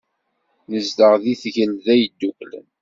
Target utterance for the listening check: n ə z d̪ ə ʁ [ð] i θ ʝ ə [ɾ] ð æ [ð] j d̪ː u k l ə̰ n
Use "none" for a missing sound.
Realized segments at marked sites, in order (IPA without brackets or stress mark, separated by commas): ð, l, none